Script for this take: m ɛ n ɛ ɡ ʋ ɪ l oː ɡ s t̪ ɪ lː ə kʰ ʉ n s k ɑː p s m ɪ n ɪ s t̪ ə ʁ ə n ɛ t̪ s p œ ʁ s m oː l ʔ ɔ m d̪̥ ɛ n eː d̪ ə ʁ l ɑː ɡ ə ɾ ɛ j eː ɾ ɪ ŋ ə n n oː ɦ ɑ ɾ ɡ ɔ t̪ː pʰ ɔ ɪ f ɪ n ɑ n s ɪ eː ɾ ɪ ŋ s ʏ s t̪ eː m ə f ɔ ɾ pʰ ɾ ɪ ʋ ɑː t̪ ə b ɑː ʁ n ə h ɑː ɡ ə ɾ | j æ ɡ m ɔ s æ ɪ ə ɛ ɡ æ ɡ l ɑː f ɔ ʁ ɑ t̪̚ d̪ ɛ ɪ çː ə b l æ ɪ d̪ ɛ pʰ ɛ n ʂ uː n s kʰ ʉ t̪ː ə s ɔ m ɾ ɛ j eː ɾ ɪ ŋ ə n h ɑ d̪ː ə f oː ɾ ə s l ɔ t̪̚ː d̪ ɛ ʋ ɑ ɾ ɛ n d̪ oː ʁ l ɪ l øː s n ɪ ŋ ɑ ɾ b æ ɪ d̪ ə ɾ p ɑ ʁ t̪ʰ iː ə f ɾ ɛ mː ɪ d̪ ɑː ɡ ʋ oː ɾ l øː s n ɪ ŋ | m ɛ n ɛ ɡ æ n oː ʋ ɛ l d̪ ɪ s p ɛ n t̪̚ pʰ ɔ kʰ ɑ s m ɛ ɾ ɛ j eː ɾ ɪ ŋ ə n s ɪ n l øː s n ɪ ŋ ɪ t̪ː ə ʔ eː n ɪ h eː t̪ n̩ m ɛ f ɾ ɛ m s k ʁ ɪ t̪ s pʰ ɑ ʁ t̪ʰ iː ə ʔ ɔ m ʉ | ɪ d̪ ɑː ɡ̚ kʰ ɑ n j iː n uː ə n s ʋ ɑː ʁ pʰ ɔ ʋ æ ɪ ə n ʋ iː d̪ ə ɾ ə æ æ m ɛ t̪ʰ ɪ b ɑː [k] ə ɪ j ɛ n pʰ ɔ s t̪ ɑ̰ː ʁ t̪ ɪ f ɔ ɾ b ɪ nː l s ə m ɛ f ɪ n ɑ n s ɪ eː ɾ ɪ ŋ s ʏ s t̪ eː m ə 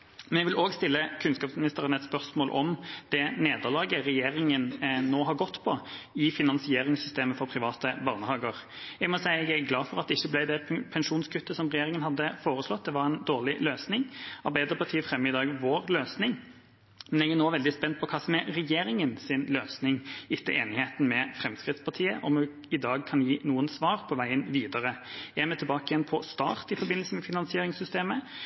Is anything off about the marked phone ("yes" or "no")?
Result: no